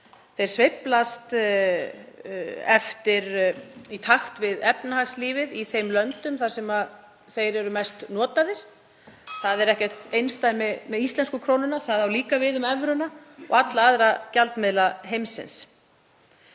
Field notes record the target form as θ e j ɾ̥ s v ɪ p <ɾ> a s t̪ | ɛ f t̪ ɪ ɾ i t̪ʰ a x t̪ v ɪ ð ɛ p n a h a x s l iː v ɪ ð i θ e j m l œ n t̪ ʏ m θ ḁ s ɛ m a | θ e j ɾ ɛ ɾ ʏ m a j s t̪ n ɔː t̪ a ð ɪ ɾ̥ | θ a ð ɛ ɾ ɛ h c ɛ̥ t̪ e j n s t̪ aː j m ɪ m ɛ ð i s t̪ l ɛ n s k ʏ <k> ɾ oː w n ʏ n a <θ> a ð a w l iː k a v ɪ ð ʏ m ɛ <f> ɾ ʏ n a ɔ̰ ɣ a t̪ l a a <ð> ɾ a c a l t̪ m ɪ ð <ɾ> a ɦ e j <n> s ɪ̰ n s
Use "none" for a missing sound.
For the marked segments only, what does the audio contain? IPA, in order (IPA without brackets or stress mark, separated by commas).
l, kʰ, θ, v, ð, l, m